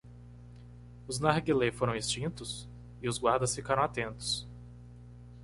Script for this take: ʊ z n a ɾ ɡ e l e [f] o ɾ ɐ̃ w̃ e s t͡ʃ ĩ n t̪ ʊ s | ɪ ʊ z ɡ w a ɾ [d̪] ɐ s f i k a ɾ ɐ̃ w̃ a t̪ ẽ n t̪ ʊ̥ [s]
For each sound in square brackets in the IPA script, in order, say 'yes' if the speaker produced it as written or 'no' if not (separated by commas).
yes, yes, yes